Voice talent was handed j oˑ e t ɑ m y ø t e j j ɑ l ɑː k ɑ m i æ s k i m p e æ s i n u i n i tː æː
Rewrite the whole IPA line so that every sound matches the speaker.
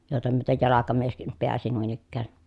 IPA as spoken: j oˑ e t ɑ m y ø t e j j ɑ l ɑ k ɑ m i e s k i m p e æ s i n u i n i kː æː